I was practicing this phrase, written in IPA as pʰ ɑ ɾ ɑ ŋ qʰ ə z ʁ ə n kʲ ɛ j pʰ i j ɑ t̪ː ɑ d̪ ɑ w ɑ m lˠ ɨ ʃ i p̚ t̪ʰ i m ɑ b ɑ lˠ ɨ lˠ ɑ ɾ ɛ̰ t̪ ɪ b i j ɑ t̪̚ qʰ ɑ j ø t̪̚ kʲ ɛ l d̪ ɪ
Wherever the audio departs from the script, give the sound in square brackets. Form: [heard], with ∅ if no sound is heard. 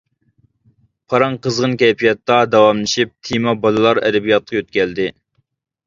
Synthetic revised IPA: pʰ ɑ ɾ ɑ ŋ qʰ ə z ʁ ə n kʲ ɛ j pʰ i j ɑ t̪ː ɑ d̪ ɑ w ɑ m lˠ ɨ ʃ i p̚ t̪ʰ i m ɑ b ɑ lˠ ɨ lˠ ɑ ɾ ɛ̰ [d̪] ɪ b i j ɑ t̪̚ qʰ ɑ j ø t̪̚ kʲ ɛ l d̪ ɪ